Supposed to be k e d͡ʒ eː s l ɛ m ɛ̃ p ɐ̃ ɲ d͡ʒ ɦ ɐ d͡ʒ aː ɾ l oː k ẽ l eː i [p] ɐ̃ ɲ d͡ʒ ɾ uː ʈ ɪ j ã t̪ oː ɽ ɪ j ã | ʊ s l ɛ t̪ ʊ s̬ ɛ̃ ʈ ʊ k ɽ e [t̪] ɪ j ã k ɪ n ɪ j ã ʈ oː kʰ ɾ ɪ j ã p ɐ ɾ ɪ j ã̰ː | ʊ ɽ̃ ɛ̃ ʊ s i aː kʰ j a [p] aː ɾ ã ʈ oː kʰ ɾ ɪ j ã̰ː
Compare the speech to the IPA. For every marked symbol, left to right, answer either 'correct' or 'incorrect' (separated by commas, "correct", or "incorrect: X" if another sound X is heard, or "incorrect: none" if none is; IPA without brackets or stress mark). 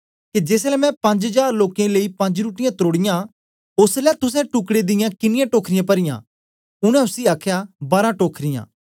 correct, incorrect: d̪, incorrect: b